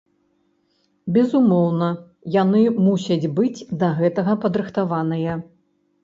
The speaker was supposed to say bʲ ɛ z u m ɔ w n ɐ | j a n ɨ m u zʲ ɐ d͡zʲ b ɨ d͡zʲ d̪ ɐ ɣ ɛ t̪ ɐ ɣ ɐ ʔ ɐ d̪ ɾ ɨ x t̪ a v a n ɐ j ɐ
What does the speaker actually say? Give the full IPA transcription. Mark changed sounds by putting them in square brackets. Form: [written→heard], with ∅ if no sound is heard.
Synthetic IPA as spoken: bʲ ɛ z u m ɔ w n ɐ | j a n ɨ m u [zʲ→sʲ] ɐ d͡zʲ b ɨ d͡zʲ d̪ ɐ ɣ ɛ t̪ ɐ ɣ ɐ [ʔ→p] ɐ d̪ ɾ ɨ x t̪ a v a n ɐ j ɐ